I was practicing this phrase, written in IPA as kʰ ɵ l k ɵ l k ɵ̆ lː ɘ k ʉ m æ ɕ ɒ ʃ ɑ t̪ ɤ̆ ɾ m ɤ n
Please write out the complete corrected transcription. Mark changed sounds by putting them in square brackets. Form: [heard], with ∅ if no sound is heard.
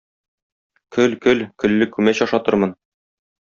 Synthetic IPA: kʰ ɵ l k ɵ l k ɵ̆ lː ɘ k ʉ m æ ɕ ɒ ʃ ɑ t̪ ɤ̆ ɾ m ɤ n